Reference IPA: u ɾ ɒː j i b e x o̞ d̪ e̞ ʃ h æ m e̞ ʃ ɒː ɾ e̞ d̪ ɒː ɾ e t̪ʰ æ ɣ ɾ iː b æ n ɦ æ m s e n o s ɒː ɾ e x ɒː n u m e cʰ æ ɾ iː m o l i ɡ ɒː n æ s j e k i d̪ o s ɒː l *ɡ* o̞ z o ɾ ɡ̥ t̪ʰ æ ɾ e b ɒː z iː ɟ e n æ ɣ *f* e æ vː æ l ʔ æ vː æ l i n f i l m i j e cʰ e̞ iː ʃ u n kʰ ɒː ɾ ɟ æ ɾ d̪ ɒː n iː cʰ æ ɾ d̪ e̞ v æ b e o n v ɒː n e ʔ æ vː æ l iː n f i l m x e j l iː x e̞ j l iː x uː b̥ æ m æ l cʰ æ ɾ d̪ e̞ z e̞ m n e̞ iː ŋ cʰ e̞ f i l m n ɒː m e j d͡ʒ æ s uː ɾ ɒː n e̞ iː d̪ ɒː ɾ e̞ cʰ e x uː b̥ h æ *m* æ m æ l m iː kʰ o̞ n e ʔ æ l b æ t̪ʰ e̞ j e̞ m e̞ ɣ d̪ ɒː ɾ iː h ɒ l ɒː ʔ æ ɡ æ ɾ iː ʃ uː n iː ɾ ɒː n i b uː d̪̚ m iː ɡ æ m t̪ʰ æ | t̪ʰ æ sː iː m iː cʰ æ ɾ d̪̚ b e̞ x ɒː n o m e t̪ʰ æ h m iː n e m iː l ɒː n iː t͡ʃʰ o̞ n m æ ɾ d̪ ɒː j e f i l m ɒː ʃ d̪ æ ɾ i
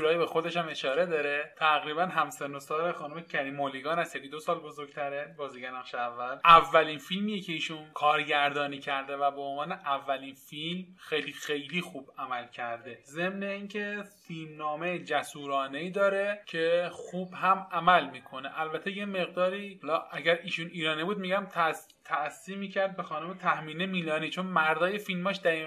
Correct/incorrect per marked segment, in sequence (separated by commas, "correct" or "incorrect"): incorrect, incorrect, correct